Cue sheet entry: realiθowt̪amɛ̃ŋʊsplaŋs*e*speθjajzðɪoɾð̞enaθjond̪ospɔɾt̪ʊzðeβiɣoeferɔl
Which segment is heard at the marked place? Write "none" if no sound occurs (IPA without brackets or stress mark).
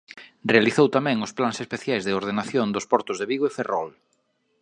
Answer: e